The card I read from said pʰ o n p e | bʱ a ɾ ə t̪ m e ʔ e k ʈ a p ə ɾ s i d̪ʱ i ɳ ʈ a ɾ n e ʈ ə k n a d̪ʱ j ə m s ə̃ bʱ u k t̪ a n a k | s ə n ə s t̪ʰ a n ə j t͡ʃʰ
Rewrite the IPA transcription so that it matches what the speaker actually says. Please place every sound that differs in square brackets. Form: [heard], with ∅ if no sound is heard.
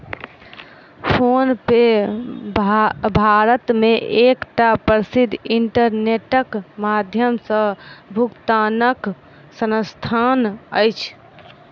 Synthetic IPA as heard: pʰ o n p e | bʱ a ɾ ə t̪ m e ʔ e k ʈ a p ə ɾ s i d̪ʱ i ɳ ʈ [ə] ɾ n e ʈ ə k [m] a d̪ʱ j ə m s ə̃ bʱ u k t̪ a n [ə] k | s ə n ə s t̪ʰ a n ə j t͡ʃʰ